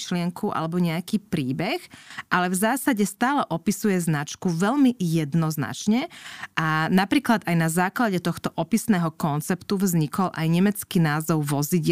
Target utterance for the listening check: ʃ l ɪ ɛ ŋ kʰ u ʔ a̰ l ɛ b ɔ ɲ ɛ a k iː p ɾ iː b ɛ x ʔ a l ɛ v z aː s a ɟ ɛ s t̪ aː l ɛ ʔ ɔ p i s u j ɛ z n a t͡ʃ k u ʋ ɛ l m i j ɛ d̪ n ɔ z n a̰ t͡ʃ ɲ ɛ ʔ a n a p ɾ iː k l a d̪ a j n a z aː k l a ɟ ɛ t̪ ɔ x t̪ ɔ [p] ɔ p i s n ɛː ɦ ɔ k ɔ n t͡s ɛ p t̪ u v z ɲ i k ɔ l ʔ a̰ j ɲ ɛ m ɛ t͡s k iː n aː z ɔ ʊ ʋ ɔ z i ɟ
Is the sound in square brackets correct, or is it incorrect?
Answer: incorrect